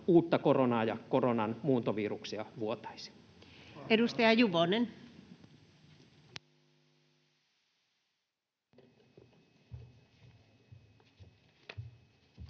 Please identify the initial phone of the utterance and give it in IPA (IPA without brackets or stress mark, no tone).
uː